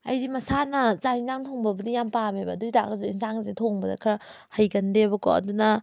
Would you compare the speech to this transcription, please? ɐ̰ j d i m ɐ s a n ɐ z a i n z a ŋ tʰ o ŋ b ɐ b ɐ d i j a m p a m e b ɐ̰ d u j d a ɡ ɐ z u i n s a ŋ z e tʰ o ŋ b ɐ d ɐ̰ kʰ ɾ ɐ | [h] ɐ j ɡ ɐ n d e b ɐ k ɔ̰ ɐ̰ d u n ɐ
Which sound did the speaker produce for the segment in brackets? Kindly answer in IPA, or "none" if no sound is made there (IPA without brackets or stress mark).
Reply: h